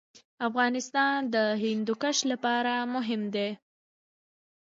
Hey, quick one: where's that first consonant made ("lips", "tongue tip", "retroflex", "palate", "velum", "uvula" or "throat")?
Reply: lips